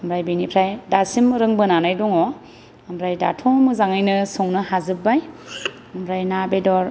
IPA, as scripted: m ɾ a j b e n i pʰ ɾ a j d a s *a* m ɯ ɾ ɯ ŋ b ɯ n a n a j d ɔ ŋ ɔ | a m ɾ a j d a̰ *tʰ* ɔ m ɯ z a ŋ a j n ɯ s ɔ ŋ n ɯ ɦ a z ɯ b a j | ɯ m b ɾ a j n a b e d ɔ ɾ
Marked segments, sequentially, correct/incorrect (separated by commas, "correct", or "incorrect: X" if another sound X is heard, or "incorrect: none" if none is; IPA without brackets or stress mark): incorrect: i, correct